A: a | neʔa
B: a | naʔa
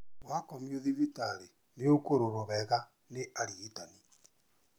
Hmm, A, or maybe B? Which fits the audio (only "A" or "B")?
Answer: A